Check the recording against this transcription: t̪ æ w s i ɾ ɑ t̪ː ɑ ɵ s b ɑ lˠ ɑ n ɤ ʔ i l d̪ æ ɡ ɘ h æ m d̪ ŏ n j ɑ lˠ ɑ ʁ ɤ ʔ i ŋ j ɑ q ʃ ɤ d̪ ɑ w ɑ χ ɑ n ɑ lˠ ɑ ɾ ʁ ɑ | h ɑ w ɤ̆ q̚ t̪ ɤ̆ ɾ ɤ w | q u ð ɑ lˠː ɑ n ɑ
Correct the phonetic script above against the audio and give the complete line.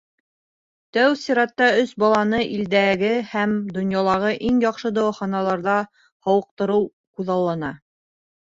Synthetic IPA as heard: t̪ æ w s i ɾ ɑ t̪ː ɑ ɵ s b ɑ lˠ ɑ n ɤ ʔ i l d̪ æ ɡ ɘ h æ m d̪ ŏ n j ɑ lˠ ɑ ʁ ɤ ʔ i ŋ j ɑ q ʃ ɤ d̪ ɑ w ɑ χ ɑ n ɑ lˠ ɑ ɾ ð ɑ | h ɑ w ɤ̆ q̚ t̪ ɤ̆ ɾ ɤ w | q u ð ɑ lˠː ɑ n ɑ